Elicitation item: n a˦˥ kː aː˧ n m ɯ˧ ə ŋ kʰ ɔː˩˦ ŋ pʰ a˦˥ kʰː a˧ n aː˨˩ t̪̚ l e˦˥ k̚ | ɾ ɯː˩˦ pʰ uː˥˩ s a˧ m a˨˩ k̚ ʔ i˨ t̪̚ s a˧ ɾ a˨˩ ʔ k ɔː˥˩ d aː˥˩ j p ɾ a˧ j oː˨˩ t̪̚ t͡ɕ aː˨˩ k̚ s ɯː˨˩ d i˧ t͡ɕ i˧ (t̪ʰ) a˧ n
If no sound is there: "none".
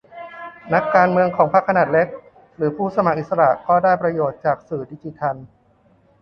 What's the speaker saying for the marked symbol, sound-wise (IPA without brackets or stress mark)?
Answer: t̪ʰ